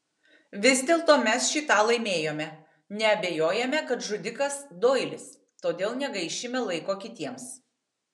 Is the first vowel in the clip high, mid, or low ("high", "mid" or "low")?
high